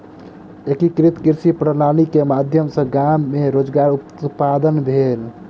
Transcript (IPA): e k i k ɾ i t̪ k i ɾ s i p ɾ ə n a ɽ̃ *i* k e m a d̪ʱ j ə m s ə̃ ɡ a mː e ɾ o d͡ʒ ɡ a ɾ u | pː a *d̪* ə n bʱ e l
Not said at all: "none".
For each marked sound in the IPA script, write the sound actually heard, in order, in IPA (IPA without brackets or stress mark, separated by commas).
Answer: i, d̪